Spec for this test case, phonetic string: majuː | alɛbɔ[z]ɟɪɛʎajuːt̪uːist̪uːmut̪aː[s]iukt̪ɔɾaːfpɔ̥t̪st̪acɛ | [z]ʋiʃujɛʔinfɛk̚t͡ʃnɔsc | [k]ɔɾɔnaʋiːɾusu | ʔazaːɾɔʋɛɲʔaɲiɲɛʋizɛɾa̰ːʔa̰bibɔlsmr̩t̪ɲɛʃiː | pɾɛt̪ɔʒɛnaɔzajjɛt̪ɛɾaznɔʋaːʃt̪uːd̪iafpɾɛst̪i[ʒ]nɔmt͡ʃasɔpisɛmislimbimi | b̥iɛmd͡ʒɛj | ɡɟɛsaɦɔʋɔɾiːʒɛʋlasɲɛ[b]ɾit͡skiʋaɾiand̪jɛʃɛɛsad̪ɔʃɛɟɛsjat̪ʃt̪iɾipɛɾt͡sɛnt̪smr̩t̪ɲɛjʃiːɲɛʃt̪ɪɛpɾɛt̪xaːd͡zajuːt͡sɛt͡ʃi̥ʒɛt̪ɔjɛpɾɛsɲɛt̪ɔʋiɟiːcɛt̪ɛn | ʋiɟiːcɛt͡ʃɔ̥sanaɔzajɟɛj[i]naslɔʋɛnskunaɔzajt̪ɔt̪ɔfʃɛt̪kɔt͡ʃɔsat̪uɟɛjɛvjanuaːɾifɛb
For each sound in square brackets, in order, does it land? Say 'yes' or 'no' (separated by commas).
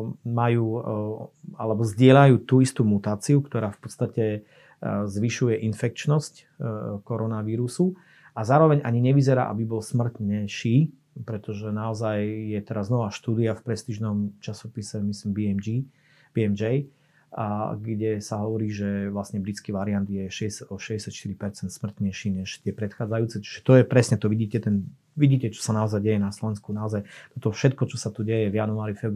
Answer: yes, no, yes, yes, yes, yes, no